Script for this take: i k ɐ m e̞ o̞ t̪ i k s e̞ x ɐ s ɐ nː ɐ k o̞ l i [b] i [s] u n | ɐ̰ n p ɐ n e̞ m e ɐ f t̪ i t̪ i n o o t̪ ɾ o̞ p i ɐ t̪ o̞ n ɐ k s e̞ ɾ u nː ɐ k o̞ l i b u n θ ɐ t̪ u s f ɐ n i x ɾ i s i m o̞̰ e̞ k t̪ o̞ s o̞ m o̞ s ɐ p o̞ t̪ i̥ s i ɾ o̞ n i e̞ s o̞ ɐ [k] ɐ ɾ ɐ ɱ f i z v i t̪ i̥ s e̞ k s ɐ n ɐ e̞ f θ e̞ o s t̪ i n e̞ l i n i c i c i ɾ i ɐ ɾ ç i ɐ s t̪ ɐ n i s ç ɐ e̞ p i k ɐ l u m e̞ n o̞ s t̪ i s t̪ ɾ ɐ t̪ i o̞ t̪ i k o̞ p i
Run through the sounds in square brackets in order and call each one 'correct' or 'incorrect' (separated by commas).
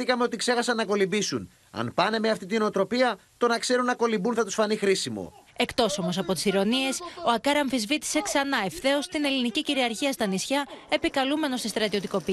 correct, correct, correct